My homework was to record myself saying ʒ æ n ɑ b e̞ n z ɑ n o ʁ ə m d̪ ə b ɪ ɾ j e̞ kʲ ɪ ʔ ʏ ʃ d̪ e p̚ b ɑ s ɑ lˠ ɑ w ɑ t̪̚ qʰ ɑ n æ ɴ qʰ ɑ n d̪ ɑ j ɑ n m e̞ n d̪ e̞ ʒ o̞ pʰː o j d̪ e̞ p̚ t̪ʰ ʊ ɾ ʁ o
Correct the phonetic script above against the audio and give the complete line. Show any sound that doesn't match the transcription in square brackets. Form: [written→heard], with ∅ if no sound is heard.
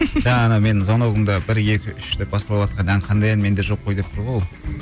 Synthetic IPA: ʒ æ n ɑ [b→m] e̞ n z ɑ n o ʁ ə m d̪ [ə→ɑ] b ɪ ɾ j e̞ kʲ ɪ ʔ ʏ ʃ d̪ e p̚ b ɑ s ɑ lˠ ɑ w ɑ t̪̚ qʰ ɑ n æ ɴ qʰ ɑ n d̪ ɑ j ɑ n m e̞ n d̪ e̞ ʒ o̞ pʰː o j d̪ e̞ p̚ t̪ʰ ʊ ɾ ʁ o

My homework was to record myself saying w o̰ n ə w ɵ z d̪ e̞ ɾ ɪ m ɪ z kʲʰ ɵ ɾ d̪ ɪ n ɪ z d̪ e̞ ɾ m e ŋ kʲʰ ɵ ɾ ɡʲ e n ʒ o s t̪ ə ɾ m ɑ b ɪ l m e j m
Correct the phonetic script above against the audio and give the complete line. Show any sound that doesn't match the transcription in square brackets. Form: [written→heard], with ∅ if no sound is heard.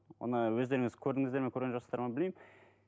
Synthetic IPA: w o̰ n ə w ɵ z d̪ e̞ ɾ ɪ [m→ŋ] ɪ z kʲʰ ɵ ɾ d̪ ɪ [n→ŋ] ɪ z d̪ e̞ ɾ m e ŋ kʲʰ ɵ ɾ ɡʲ e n ʒ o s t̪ [ə→ɑ] ɾ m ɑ b ɪ l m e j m

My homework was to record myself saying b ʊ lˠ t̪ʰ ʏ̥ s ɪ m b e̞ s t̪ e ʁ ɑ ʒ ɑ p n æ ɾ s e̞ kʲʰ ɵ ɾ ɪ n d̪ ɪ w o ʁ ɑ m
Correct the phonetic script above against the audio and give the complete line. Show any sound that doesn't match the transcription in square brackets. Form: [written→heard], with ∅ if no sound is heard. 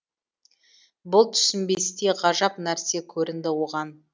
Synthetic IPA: b ʊ lˠ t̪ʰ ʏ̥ s ɪ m b e̞ s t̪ e ʁ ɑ ʒ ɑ p n æ ɾ s e̞ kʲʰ ɵ ɾ ɪ n d̪ ɪ w o ʁ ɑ [m→n]

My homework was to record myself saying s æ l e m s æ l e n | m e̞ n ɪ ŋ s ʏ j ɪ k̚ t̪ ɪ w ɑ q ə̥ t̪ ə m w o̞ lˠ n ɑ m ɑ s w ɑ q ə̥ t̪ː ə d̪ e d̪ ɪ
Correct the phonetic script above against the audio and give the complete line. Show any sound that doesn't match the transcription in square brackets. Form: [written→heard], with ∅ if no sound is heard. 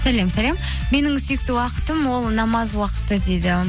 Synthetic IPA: s æ l e m s æ l e [n→m] | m e̞ n ɪ ŋ s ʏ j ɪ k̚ t̪ ɪ w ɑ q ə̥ t̪ ə m w o̞ lˠ n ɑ m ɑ [s→z] w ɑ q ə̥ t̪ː ə d̪ e d̪ ɪ

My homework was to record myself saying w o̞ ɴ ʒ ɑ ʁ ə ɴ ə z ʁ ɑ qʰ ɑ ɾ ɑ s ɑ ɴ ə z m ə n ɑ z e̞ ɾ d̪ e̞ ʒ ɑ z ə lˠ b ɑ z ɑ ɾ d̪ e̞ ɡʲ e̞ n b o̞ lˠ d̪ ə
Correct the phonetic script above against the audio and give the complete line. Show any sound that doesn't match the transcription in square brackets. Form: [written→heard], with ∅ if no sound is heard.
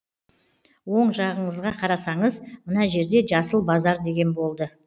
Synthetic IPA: w o̞ ɴ ʒ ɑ ʁ ə ɴ ə z ʁ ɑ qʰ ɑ ɾ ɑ s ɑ ɴ ə z m ə n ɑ [z→ʒ] e̞ ɾ d̪ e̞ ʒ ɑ [z→s] ə lˠ b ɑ z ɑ ɾ d̪ e̞ ɡʲ e̞ n b o̞ lˠ d̪ ə

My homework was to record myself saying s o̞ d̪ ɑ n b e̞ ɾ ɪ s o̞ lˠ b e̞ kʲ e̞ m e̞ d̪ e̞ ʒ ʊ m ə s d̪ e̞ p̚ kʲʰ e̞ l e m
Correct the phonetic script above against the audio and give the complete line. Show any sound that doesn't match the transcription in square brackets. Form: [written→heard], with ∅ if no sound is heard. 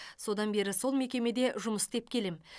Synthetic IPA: s o̞ d̪ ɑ n b e̞ ɾ ɪ s o̞ lˠ [b→m] e̞ kʲ e̞ m e̞ d̪ e̞ ʒ ʊ m ə s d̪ e̞ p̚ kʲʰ e̞ l e m

